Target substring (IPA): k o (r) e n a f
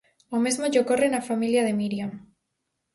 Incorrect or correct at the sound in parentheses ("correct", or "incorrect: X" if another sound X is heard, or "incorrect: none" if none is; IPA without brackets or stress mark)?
correct